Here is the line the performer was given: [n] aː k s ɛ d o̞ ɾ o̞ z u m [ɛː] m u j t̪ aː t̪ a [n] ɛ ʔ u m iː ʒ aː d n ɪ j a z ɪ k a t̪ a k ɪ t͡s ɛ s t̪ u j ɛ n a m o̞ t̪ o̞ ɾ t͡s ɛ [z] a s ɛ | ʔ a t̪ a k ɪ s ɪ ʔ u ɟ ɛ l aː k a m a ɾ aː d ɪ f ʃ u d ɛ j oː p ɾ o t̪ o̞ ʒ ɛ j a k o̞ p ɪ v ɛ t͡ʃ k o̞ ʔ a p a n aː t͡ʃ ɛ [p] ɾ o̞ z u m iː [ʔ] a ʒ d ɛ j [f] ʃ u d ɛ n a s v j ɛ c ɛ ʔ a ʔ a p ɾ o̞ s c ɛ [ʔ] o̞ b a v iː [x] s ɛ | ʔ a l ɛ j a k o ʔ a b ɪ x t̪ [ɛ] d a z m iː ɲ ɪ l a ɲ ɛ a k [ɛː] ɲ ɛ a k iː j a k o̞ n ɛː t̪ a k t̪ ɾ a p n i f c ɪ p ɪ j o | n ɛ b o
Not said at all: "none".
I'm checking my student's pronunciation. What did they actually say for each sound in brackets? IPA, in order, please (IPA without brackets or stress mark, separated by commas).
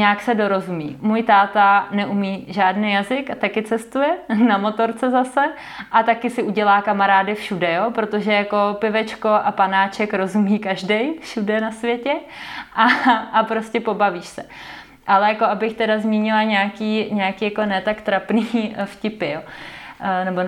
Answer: ɲ, iː, n, z, k, k, f, p, ʃ, ɛ, iː